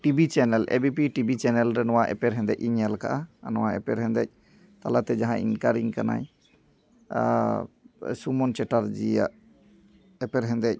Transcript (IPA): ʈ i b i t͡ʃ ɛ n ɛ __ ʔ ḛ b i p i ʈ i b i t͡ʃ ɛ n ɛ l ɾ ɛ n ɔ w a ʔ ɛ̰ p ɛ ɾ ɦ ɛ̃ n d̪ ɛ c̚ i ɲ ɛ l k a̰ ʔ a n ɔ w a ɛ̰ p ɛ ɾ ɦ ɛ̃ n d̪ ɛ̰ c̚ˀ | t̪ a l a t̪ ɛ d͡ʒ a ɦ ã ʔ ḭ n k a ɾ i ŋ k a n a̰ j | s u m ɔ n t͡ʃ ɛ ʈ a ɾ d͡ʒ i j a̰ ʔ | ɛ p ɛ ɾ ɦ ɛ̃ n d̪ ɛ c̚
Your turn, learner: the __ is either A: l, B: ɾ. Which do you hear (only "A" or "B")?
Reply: A